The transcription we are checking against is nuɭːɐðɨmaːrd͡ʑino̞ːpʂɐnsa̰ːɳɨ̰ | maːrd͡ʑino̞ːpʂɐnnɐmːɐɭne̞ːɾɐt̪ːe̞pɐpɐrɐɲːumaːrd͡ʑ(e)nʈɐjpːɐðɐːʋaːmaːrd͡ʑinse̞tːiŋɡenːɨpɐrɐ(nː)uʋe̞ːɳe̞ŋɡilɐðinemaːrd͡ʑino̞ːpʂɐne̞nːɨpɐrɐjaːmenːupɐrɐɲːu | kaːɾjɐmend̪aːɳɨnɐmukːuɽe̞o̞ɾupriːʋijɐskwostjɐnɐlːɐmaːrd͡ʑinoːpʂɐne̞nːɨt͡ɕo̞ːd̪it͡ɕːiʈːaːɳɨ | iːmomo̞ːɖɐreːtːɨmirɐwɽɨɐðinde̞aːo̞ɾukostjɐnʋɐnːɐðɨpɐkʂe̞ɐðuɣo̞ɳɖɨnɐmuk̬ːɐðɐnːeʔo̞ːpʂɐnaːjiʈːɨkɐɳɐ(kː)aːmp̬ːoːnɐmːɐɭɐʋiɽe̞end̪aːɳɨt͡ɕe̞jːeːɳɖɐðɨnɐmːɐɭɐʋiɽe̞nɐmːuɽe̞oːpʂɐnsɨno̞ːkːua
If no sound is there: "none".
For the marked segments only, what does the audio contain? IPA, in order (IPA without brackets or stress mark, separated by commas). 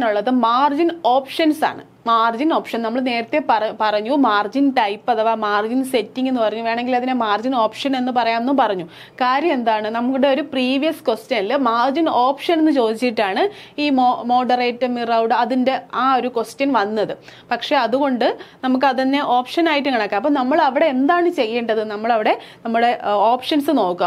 i, ɲː, kː